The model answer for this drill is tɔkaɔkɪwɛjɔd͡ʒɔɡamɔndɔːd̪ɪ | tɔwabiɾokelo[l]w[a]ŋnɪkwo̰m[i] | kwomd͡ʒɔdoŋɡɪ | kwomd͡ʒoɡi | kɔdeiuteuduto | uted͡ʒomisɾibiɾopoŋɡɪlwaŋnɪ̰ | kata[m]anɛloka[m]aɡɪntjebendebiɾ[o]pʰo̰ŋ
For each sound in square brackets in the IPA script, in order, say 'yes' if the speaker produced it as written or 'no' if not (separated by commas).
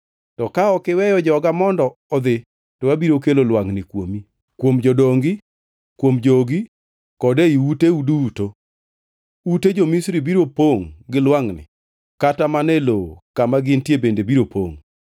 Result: yes, yes, yes, yes, yes, yes